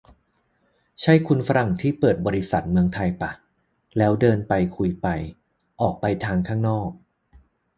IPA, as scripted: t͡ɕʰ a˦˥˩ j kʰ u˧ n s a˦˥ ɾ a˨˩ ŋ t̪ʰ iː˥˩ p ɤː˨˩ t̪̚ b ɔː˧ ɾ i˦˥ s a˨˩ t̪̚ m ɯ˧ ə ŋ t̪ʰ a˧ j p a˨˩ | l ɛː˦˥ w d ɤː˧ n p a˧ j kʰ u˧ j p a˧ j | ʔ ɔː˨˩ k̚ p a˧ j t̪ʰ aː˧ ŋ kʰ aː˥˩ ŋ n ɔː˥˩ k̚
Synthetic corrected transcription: t͡ɕʰ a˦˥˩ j kʰ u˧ n f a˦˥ ɾ a˨˩ ŋ t̪ʰ iː˥˩ p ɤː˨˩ t̪̚ b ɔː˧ ɾ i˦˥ s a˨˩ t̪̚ m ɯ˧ ə ŋ t̪ʰ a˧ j p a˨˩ | l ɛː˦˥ w d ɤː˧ n p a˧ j kʰ u˧ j p a˧ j | ʔ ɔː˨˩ k̚ p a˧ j t̪ʰ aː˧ ŋ kʰ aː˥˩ ŋ n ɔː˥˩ k̚